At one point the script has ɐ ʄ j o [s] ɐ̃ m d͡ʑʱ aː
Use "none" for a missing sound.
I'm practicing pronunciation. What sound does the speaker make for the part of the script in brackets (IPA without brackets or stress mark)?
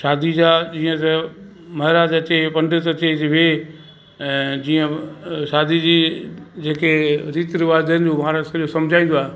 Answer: s